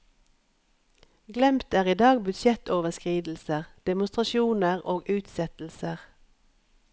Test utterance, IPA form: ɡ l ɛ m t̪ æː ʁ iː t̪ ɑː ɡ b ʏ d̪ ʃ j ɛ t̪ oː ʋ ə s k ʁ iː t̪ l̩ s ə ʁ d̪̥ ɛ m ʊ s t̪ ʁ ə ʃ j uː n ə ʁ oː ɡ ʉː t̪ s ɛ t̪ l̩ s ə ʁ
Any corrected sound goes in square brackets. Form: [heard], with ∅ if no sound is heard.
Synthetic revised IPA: ɡ l ɛ m t̪ æː ʁ iː [d̪] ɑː ɡ b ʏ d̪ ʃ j ɛ t̪ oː ʋ ə s k ʁ iː [d̪] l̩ s ə ʁ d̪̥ ɛ m ʊ s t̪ ʁ [ɑ] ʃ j uː n ə ʁ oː ɡ ʉː t̪ s ɛ t̪ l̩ s ə ʁ